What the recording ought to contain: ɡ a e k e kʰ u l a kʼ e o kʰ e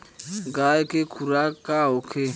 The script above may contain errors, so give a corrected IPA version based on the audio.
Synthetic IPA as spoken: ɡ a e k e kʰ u ɾ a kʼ a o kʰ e